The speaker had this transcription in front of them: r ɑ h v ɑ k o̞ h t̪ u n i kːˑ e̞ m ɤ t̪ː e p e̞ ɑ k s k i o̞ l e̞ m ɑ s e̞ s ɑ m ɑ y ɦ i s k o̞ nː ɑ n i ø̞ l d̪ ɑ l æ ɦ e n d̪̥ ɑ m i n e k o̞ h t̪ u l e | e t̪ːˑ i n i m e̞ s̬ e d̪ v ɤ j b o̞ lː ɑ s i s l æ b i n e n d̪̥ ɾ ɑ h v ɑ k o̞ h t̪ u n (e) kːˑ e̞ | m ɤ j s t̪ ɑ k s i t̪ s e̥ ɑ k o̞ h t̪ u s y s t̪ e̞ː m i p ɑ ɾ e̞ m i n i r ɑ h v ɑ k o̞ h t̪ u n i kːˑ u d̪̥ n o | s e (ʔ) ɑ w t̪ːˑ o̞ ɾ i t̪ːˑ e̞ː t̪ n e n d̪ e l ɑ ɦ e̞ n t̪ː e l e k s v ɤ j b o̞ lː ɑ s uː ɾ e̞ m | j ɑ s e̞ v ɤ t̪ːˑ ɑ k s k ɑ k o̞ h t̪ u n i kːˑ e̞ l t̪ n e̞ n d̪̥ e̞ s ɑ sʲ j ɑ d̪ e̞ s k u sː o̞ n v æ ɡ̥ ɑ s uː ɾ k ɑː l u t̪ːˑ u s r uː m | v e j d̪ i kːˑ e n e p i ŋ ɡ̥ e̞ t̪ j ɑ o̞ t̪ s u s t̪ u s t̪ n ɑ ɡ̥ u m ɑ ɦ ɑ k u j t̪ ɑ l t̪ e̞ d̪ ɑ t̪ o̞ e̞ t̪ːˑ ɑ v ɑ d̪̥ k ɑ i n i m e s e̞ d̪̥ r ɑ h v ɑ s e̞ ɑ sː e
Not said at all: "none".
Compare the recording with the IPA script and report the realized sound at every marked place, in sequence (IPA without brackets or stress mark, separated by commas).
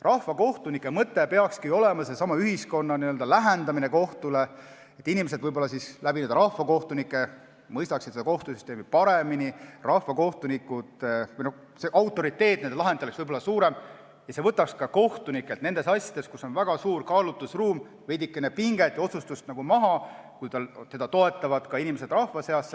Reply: i, ʔ